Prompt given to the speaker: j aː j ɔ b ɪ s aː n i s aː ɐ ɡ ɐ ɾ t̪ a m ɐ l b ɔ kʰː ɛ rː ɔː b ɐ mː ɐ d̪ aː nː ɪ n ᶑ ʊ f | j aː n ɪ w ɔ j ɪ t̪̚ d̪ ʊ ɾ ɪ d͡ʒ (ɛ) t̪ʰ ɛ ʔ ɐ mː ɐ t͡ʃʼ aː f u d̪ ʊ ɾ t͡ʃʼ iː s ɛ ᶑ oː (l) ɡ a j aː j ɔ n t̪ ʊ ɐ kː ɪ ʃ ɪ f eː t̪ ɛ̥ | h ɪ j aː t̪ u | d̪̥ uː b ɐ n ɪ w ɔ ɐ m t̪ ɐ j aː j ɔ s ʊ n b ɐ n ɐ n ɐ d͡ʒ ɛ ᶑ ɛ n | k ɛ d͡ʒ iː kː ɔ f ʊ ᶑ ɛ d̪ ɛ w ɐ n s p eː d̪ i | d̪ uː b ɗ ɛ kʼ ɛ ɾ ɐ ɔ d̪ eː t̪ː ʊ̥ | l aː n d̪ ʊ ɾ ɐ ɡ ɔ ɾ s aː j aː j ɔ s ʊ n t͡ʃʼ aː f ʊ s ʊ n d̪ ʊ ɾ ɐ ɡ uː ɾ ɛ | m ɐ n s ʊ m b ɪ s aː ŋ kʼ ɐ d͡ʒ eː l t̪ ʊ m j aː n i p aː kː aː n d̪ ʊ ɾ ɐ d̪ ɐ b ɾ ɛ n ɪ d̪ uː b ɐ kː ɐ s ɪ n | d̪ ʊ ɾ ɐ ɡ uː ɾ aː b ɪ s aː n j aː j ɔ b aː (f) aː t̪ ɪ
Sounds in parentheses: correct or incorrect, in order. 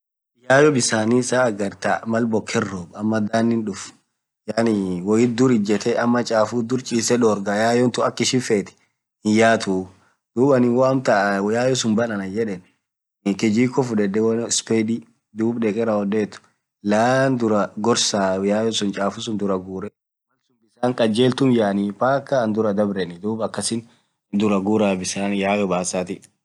correct, incorrect, incorrect

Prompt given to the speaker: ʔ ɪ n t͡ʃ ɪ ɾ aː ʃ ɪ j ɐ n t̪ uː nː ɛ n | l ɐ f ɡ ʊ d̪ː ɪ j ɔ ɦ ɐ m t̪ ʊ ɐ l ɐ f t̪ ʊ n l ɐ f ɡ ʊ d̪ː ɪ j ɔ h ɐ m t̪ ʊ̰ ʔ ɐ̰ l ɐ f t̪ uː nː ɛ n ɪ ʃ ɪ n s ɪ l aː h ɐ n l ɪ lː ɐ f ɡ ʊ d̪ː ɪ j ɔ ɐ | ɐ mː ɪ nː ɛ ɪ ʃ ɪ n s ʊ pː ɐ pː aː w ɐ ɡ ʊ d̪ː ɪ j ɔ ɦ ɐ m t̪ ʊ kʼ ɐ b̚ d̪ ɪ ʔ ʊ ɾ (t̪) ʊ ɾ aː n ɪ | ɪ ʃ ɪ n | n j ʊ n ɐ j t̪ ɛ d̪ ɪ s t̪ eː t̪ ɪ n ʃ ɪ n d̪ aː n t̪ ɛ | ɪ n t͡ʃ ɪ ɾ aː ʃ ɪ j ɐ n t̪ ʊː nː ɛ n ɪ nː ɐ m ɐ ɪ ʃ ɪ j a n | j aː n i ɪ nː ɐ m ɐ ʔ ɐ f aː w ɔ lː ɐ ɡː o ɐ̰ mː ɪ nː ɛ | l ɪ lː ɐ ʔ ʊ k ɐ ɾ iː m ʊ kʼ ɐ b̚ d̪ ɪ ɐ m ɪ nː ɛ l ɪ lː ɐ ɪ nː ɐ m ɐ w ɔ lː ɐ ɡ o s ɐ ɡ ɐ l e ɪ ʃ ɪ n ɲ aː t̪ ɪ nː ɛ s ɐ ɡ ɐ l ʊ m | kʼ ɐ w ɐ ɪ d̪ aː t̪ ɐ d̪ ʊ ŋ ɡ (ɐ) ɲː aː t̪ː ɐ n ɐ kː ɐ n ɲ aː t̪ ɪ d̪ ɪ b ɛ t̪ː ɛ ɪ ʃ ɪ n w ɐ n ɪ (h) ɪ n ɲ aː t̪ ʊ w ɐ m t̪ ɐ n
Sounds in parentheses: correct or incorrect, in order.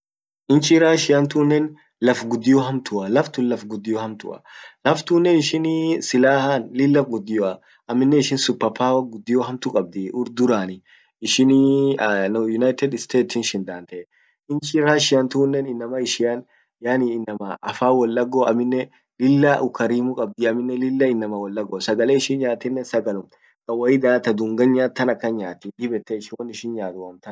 incorrect, correct, incorrect

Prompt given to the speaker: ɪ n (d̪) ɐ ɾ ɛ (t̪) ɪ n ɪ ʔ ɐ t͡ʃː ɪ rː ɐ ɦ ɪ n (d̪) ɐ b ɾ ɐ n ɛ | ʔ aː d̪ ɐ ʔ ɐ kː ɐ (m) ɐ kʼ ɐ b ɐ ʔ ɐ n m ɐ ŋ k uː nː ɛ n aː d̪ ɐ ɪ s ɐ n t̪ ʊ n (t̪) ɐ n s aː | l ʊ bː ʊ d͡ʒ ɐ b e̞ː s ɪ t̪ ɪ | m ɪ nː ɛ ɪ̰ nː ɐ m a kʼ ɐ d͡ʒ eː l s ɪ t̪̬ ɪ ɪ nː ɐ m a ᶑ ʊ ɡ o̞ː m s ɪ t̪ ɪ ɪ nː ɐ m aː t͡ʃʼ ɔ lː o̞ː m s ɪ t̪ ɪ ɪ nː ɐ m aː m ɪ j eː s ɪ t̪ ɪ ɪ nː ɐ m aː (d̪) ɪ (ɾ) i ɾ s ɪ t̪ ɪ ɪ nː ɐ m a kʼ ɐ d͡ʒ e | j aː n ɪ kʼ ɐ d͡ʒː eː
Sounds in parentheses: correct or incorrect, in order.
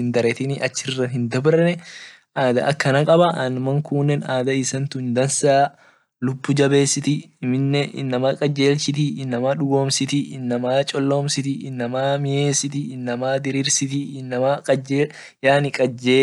correct, correct, correct, incorrect, incorrect, correct, correct

